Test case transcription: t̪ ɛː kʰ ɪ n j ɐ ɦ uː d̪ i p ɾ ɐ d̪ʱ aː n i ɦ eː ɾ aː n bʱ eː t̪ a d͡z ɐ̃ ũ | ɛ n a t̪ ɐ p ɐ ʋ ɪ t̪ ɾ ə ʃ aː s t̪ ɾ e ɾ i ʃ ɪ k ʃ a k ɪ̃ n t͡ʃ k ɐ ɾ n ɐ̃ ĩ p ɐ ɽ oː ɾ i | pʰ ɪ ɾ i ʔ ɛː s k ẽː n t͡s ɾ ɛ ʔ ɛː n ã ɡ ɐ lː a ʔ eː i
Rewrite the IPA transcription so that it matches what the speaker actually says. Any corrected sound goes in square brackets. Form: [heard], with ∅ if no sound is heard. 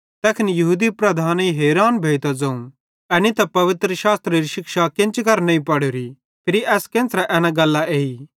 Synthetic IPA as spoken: t̪ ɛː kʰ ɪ n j ɐ ɦ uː d̪ i p ɾ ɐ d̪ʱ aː n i ɦ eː ɾ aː n bʱ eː t̪ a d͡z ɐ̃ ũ | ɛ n [i] t̪ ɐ p ɐ ʋ ɪ t̪ ɾ ə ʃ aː s t̪ ɾ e ɾ i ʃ ɪ k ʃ a k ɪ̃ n t͡ʃ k ɐ ɾ n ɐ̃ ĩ p ɐ ɽ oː ɾ i | pʰ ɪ ɾ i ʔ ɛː s k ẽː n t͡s ɾ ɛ ʔ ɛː n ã ɡ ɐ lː a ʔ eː i